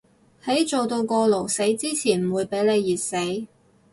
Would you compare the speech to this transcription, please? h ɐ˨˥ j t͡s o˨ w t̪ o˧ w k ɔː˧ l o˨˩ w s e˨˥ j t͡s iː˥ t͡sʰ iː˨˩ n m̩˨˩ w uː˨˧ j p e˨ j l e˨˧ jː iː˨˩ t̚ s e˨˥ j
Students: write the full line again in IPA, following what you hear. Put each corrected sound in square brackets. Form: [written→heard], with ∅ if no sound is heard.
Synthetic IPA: h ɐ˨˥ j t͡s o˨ w t̪ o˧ w k ɔː˧ l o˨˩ w s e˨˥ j t͡s iː˥ t͡sʰ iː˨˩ n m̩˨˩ w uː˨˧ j p [e˨→e˨˥] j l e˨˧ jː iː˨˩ t̚ s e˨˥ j